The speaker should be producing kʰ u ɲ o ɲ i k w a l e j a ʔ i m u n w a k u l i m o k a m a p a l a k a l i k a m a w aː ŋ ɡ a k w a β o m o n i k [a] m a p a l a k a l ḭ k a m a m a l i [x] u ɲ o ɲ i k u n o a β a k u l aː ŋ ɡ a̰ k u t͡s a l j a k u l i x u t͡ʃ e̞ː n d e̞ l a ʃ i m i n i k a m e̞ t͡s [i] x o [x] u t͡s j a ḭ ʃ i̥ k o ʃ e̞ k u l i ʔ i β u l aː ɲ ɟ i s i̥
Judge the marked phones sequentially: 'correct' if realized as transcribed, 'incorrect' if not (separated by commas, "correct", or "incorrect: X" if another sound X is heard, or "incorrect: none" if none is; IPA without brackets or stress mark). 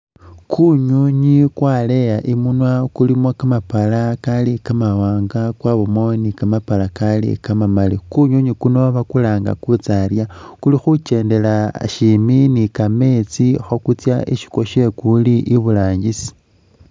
correct, incorrect: k, correct, incorrect: k